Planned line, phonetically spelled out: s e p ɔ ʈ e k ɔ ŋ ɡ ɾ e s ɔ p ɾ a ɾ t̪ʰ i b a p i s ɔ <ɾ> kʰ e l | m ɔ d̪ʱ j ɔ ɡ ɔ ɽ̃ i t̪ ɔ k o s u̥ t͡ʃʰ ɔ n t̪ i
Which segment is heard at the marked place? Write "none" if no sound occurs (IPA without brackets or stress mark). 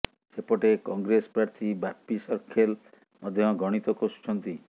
ɾ